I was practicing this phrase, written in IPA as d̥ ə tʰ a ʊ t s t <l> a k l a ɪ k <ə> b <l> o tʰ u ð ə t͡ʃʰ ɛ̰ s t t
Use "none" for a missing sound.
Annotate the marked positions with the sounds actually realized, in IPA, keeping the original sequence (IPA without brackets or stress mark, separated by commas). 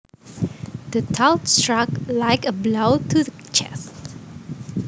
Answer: ɹ, ə, l